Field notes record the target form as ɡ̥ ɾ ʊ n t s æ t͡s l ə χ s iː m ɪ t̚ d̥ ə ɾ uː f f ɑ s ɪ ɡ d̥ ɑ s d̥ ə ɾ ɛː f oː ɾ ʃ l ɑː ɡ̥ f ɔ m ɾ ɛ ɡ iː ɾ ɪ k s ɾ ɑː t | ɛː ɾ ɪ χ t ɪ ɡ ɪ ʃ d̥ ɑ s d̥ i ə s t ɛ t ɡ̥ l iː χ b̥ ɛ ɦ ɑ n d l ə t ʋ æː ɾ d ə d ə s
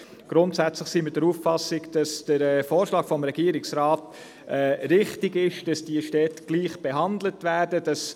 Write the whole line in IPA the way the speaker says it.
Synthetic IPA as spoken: ɡ̥ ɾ ʊ n t s æ t͡s l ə χ s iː m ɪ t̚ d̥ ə ɾ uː f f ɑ s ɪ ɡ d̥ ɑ s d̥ ə ɾ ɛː f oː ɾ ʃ l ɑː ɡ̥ f ɔ m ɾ ɛ ɡ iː ɾ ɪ k s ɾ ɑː t | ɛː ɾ ɪ χ t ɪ ɡ ɪ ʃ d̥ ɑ s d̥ i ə ʃ t ɛ t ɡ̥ l iː χ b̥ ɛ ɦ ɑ n d l ə t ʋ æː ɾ d ə d ɑ s